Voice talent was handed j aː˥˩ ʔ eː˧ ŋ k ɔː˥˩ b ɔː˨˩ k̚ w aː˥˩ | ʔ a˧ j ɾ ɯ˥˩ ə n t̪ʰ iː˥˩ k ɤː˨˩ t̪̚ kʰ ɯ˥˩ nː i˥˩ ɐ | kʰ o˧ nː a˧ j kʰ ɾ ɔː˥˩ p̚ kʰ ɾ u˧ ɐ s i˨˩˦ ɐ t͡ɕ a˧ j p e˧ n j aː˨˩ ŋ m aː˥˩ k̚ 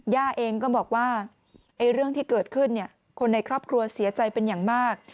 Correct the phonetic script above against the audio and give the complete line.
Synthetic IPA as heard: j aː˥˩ ʔ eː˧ ŋ k ɔː˥˩ b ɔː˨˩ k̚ w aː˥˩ | ʔ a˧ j ɾ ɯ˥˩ ə ŋ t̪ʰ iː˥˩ k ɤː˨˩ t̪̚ kʰ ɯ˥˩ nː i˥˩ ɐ | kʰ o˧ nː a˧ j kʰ ɾ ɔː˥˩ p̚ kʰ ɾ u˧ ɐ s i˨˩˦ ɐ t͡ɕ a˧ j p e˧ n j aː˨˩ ŋ m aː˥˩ k̚